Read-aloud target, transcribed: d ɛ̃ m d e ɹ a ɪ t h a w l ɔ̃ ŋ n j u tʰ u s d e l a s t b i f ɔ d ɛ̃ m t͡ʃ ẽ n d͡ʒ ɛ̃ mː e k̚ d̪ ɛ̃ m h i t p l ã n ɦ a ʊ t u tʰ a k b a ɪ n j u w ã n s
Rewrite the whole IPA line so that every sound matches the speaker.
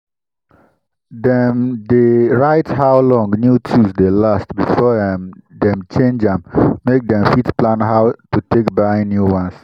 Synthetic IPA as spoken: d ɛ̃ m d e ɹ a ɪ t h a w l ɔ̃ ŋ n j u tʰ u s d e l a s t b i f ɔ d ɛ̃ m t͡ʃ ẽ n d͡ʒ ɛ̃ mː e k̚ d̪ ɛ̃ m f i t p l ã n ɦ a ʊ t u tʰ e k b a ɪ n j u w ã n s